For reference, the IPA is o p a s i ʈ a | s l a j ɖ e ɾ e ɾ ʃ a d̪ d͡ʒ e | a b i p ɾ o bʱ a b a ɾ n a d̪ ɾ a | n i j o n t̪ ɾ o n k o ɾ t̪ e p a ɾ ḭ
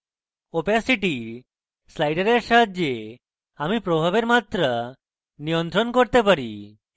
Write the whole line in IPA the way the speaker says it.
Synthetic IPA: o p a s i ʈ i | s l a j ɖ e ɾ e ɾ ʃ a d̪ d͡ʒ e | a m i p ɾ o bʱ a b e ɾ m a t̪ ɾ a | n i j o n t̪ ɾ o n k o ɾ t̪ e p a ɾ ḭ